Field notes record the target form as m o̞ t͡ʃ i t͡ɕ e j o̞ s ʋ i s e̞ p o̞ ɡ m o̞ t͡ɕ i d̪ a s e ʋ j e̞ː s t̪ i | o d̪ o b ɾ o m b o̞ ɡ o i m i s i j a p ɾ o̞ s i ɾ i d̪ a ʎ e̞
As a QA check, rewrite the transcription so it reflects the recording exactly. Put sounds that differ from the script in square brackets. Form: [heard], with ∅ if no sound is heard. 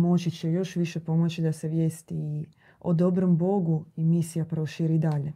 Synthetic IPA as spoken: m o̞ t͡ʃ i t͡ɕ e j o̞ [ʃ] ʋ i [ʃ] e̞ p o̞ [∅] m o̞ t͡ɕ i d̪ a s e ʋ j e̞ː s t̪ i | o d̪ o b ɾ o m b o̞ ɡ [u] i m i s i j a p ɾ o̞ [ʃ] i ɾ i d̪ a ʎ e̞